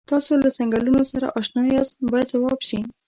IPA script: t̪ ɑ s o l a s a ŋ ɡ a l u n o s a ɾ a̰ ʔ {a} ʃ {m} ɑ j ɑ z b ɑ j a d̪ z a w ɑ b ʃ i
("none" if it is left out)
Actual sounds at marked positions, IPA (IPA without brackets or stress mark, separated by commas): ɑ, n